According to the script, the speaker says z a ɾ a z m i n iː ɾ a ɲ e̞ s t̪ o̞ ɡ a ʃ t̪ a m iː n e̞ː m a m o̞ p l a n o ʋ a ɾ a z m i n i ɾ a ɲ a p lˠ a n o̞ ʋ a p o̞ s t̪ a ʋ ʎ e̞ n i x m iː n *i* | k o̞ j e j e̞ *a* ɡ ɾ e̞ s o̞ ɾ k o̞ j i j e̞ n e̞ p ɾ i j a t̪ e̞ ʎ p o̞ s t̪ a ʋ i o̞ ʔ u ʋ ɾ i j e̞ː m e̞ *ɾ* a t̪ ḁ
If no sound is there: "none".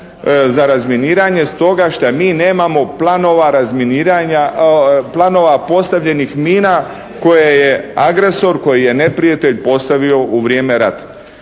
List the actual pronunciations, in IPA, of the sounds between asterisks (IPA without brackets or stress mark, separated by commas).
a, a, ɾ